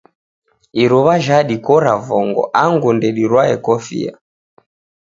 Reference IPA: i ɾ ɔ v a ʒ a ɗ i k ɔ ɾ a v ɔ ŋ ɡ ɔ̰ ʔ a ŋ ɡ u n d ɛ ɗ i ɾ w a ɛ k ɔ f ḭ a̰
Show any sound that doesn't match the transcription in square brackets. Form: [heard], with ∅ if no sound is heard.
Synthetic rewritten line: i ɾ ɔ [β] a ʒ a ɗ i k ɔ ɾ a v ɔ ŋ ɡ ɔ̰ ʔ a ŋ ɡ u n d ɛ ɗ i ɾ w a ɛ k ɔ f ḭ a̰